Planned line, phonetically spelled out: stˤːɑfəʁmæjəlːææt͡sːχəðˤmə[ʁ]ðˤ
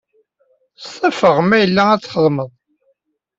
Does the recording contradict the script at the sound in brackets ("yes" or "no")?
yes